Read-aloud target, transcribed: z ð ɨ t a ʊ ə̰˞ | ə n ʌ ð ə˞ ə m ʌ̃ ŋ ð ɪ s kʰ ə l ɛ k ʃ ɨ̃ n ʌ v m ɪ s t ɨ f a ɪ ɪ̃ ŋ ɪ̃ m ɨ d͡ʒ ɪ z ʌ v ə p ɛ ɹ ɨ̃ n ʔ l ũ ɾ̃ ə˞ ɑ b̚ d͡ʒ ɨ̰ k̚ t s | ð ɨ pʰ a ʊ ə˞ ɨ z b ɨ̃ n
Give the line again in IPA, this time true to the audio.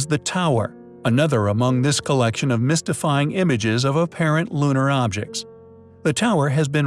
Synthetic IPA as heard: z ð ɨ tʰ a ʊ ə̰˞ | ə n ʌ ð ə˞ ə m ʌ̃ ŋ ð ɪ s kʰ ə l ɛ k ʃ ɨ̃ n ʌ v m ɪ s t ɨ f a ɪ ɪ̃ ŋ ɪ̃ m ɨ d͡ʒ ɪ z ʌ v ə pʰ ɛ ɹ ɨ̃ n ʔ l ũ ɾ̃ ə˞ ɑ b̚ d͡ʒ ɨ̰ k̚ t s | ð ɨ tʰ a ʊ ə˞ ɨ z b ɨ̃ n

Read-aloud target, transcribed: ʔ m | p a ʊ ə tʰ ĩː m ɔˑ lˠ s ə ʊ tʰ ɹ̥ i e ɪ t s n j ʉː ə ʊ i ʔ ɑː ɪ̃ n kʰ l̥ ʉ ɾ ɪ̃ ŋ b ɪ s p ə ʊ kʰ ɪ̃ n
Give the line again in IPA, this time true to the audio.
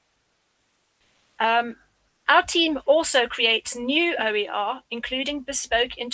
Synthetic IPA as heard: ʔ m | ʔ a ʊ ə tʰ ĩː m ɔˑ lˠ s ə ʊ kʰ ɹ̥ i e ɪ t s n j ʉː ə ʊ i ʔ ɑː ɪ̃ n kʰ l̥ ʉː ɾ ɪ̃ ŋ b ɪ s p ə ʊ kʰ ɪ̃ n

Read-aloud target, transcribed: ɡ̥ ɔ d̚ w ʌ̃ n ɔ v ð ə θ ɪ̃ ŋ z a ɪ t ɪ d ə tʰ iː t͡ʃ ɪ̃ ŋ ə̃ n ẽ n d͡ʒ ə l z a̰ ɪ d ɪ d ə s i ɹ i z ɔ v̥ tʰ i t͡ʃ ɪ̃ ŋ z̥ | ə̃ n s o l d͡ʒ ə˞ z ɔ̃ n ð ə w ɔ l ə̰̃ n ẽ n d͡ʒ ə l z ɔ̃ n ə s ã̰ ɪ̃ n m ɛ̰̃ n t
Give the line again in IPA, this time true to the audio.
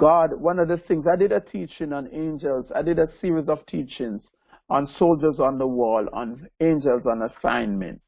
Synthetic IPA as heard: ɡ̥ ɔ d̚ w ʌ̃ n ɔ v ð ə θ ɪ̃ ŋ z a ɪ d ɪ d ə tʰ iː t͡ʃ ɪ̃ ŋ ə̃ n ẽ n d͡ʒ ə l z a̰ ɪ d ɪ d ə s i ɹ i z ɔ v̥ tʰ i t͡ʃ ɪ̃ ŋ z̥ | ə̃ n s o l d͡ʒ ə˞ z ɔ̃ n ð ə w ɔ l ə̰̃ n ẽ n d͡ʒ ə l z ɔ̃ n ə s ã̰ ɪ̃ n m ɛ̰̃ n t

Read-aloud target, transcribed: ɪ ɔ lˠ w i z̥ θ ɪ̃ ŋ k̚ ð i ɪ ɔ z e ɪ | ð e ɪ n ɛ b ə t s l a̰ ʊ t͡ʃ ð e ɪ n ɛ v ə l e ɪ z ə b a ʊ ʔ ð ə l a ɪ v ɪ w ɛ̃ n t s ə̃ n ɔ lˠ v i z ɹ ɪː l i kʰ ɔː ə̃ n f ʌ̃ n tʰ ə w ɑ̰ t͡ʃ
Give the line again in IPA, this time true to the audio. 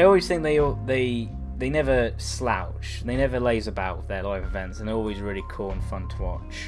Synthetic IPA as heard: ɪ ɔ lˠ w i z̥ θ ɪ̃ ŋ k̚ ð e ɪ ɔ ð e ɪ | ð e ɪ n ɛ v ə s l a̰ ʊ t͡ʃ ð e ɪ n ɛ v ə l e ɪ z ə b a ʊ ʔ ð ə l a ɪ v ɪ v ɛ̃ n t s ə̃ n ɔ lˠ w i z ɹ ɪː l i kʰ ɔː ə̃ n f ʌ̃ n tʰ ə w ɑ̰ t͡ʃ

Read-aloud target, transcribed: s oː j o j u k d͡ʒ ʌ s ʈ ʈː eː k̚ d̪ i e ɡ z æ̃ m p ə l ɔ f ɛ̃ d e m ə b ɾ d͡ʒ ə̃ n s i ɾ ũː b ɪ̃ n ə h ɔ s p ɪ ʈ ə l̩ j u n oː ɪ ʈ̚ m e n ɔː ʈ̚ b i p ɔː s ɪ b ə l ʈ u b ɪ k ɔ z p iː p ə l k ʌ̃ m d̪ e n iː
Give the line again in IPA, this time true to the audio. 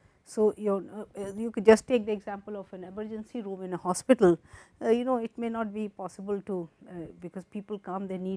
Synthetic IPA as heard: s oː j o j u k d͡ʒ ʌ s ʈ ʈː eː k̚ d̪ i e ɡ z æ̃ m p ə l ɔ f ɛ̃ n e m ə ɾ d͡ʒ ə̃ n s i ɾ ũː m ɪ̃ n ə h ɔ s p ɪ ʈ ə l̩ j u n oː ɪ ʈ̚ m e n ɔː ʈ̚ b i p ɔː s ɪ b ə l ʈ u b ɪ k ɔ z p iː p ə l k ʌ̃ m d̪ e n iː

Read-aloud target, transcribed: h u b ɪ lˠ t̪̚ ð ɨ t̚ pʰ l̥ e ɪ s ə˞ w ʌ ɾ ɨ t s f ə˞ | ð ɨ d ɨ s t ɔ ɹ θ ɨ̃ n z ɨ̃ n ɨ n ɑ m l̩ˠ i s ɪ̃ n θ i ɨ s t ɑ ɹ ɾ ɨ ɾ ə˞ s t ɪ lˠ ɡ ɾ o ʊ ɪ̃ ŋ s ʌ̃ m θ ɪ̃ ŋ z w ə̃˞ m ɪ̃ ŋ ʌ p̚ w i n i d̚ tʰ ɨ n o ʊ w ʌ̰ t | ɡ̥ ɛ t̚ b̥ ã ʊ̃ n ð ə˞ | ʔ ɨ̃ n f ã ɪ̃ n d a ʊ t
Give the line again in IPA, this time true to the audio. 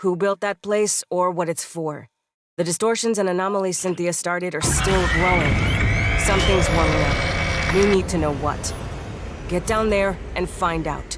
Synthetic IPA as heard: h u b ɪ lˠ t̪̚ ð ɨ t̚ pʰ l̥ e ɪ s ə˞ w ʌ ɾ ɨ t s f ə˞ | ð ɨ d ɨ s t ɔ ɹ ʃ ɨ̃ n z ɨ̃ n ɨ n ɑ m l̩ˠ i s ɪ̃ n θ i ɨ s t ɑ ɹ ɾ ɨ ɾ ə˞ s t ɪ lˠ ɡ ɹ o ʊ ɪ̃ ŋ s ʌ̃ m θ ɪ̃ ŋ z w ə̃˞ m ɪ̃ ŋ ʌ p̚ w i n i d̚ tʰ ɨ n o ʊ w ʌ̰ t | ɡ̥ ɛ t̚ d̥ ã ʊ̃ n ð ə˞ | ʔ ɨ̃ n f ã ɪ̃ n d a ʊ t

